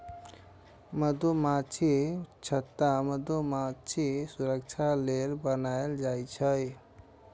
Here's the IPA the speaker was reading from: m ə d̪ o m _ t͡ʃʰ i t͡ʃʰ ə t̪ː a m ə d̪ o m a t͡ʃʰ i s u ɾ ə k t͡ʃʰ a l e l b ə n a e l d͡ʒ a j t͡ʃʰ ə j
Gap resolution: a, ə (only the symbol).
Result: a